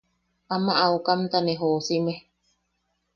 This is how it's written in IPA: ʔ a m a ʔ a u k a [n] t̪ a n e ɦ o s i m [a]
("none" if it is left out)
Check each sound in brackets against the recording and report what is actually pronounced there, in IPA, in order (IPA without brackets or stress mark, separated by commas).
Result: m, e